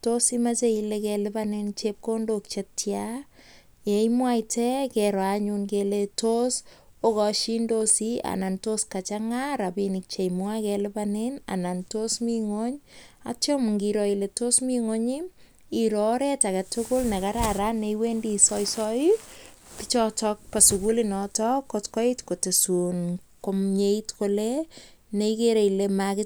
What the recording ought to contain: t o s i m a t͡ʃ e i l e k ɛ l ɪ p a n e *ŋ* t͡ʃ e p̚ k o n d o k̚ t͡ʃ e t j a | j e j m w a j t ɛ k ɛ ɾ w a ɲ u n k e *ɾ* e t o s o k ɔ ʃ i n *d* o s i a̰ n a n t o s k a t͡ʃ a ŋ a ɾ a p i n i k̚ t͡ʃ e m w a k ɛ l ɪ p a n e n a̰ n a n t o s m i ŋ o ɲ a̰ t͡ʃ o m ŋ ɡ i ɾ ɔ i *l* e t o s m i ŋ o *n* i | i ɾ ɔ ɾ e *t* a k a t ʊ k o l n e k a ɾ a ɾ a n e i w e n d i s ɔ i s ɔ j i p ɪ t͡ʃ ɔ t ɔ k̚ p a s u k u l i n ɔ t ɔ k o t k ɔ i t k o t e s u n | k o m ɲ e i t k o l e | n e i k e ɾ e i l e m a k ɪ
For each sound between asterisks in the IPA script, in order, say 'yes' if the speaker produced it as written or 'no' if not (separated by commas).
no, no, yes, yes, no, yes